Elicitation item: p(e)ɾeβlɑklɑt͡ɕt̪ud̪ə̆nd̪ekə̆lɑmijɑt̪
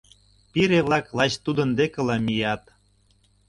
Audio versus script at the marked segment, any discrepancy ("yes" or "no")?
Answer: yes